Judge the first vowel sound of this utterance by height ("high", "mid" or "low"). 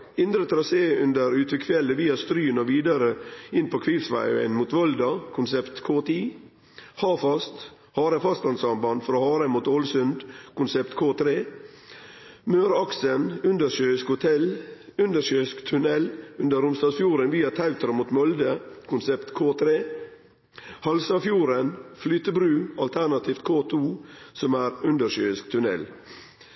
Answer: high